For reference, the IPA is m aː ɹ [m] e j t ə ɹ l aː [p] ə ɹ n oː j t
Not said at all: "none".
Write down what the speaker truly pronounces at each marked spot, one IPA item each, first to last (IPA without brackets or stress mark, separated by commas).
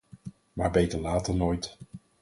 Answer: b, t